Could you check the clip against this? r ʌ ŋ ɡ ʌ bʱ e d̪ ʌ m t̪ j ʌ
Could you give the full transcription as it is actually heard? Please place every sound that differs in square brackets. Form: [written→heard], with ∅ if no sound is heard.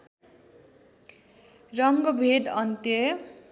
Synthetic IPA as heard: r ʌ ŋ ɡ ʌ bʱ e d̪ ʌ [m→n] t̪ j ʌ